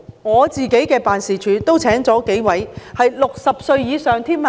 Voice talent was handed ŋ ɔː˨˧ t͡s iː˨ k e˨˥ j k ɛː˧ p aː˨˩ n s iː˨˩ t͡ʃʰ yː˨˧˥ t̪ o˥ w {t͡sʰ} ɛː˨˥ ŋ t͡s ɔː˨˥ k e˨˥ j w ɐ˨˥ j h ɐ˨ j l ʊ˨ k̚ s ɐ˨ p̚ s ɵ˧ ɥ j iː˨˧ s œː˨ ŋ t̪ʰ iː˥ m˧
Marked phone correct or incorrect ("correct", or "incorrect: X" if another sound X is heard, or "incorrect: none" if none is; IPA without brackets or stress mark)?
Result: correct